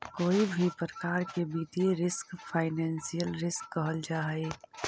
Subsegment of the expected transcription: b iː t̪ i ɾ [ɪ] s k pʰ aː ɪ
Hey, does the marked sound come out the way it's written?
yes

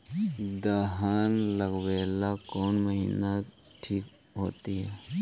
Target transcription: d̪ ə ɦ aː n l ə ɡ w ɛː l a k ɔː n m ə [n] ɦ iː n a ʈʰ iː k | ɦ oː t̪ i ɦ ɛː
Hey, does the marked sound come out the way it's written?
no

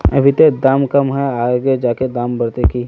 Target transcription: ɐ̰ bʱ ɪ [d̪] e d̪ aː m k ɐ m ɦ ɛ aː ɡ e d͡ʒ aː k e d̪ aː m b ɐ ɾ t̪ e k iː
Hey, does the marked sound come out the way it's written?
no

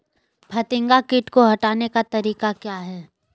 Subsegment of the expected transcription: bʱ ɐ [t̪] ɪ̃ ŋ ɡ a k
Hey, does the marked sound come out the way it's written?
yes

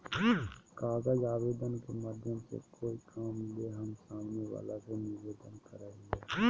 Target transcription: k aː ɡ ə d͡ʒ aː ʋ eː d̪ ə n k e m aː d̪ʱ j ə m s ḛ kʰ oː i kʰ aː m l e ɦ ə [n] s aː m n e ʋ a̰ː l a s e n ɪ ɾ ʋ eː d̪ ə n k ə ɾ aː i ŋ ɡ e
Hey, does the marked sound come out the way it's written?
no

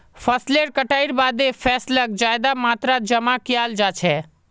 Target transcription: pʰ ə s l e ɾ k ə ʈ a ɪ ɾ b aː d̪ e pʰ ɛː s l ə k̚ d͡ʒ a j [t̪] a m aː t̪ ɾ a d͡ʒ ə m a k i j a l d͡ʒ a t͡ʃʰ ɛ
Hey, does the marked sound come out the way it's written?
no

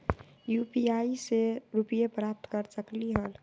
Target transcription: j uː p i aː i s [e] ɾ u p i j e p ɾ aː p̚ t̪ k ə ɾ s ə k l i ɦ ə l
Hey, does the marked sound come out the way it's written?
yes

